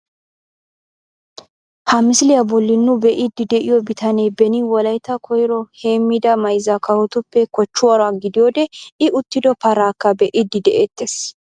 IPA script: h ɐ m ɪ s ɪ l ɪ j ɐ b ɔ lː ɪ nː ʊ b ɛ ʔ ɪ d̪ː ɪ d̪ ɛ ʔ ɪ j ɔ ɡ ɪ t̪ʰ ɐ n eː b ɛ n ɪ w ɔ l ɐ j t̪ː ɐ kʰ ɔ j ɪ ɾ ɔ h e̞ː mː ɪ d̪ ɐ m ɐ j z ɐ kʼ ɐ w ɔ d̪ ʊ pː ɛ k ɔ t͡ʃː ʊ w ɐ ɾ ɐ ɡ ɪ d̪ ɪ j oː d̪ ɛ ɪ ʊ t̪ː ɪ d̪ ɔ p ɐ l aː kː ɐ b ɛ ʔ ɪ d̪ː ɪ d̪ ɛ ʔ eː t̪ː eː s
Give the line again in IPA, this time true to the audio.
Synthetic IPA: h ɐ m ɪ s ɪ l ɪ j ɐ b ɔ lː ɪ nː ʊ b ɛ ʔ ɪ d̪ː ɪ d̪ ɛ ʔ ɪ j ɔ b ɪ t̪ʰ ɐ n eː b ɛ n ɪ w ɔ l ɐ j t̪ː ɐ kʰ ɔ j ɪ ɾ ɔ h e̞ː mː ɪ d̪ ɐ m ɐ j z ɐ k ɐ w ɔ t̪ ʊ pː ɛ k ɔ t͡ʃː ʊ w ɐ ɾ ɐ ɡ ɪ d̪ ɪ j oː d̪ ɛ ɪ ʊ t̪ː ɪ d̪ ɔ p ɐ ɾ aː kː ɐ b ɛ ʔ ɪ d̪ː ɪ d̪ ɛ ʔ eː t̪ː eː s